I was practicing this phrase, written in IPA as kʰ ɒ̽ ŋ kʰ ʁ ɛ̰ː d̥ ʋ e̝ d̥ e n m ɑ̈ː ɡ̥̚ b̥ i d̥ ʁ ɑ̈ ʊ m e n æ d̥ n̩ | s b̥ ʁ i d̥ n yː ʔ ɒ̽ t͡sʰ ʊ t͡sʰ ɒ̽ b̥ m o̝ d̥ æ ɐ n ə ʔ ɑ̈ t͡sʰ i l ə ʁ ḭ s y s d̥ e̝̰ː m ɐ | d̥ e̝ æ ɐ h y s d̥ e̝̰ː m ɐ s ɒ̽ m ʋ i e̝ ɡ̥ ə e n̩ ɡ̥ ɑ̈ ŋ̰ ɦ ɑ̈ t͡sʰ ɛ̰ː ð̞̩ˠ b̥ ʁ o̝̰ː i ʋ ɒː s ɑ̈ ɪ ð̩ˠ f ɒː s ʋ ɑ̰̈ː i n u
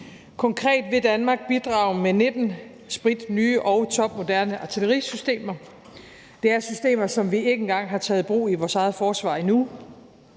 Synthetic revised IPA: kʰ ɒ̽ ŋ kʰ ʁ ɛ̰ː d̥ ʋ e̝ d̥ æ n m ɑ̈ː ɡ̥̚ b̥ i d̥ ʁ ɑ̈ ʊ m e n e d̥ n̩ | s b̥ ʁ i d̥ n yː ʔ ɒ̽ ʊ t͡sʰ ɒ̽ b̥ m o̝ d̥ æ ɐ n ə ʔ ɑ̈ t͡sʰ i l ə ʁ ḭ s y s d̥ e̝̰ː m ɐ | d̥ e̝ æ ɐ s y s d̥ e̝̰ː m ɐ s ɒ̽ m ʋ i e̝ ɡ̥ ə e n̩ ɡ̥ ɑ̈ ŋ̰ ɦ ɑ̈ t͡sʰ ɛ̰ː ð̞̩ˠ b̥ ʁ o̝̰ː i ʋ ɒː s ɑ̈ ɪ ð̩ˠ f ɒː s ʋ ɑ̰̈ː i n u